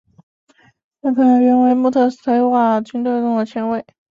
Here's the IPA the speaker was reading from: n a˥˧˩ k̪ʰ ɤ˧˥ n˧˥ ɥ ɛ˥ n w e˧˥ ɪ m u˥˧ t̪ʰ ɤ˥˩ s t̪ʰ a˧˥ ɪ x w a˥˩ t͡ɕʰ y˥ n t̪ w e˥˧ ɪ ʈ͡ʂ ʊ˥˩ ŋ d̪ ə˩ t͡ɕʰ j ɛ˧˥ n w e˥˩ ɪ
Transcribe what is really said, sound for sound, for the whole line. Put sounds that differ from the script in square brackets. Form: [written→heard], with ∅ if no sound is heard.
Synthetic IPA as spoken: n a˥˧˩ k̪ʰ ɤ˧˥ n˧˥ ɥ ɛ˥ n w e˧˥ ɪ m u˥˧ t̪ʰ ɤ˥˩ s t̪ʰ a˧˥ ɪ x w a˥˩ [t͡ɕʰ→t͡ɕ] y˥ n t̪ w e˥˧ ɪ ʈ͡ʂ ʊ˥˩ ŋ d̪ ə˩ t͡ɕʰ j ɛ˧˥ n w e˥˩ ɪ